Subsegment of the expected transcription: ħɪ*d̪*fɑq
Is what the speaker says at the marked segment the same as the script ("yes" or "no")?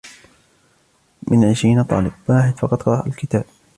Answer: yes